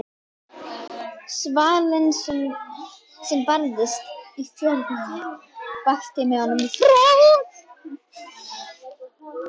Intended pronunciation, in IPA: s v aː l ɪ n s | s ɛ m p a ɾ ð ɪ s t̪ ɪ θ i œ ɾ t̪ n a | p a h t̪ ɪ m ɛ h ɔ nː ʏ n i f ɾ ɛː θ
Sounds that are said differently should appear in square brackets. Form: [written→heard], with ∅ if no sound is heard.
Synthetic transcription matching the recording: s v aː l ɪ n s | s ɛ m p a ɾ ð ɪ s t̪ [ɪ→i] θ [i→j] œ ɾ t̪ n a | p a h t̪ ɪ m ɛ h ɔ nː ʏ [n→m] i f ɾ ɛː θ